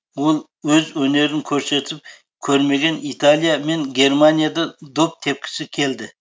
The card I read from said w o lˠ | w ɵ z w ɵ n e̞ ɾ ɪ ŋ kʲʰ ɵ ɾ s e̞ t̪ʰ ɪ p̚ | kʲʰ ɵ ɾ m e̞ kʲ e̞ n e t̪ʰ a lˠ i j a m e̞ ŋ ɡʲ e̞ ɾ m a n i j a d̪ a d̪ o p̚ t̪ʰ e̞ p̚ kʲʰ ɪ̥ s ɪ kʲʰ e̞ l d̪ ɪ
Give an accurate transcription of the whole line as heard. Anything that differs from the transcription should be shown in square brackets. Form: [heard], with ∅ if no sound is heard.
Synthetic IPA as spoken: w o lˠ | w ɵ z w ɵ n e̞ ɾ ɪ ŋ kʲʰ ɵ ɾ s e̞ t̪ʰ ɪ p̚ | kʲʰ ɵ ɾ m e̞ [ɡʲ] e̞ n [i] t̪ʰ a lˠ i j a m e̞ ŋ ɡʲ e̞ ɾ m a n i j a d̪ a d̪ o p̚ t̪ʰ e̞ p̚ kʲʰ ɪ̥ s ɪ kʲʰ e̞ l d̪ ɪ